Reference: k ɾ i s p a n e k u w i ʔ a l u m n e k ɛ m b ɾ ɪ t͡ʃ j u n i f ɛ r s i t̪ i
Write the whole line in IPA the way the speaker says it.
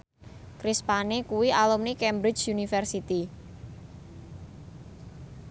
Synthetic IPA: k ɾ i s p a n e k u w i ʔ a l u m n i k ɛ m b ɾ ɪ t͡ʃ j u n i f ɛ r s i t̪ i